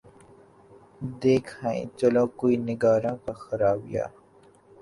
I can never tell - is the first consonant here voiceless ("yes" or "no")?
no